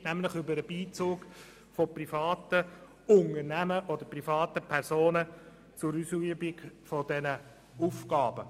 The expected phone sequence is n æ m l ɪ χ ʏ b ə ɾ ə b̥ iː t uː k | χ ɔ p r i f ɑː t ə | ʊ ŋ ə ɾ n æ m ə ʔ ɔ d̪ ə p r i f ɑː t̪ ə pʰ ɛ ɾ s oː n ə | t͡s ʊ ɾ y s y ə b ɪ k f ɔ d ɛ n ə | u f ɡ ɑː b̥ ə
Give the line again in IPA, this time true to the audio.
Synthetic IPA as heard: n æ m l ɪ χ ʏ b ə ɾ ə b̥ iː t͡s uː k | f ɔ p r i f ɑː t ə | ʊ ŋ ə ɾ n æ m ə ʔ ɔ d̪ ə p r i f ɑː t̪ ə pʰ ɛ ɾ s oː n ə | t͡s ʊ ɾ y s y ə b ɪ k f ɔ d ɛ n ə | u f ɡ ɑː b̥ ə